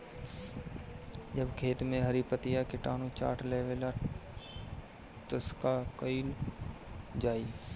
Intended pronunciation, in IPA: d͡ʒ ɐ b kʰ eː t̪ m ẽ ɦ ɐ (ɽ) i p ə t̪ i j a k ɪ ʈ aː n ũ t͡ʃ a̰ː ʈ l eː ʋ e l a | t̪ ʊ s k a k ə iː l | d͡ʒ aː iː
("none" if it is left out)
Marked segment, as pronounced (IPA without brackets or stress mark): ɾ